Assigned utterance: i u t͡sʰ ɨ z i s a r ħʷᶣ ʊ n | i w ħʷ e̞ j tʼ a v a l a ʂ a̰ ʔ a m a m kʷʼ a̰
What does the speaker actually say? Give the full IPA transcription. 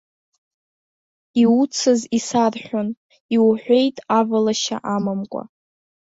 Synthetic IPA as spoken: i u t͡sʰ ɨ z i s a r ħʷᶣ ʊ n | i w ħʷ e̞ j tʼ a v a l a ʃ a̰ ʔ a m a m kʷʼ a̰